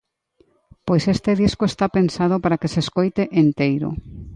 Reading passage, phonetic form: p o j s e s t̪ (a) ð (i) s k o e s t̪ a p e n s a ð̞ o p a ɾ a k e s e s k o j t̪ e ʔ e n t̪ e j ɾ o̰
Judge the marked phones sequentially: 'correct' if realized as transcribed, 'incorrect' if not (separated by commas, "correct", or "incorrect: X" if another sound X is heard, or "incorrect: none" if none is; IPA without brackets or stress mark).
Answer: incorrect: e, correct